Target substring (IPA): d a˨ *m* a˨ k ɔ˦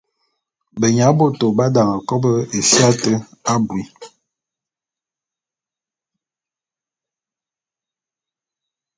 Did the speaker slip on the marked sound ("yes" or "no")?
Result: yes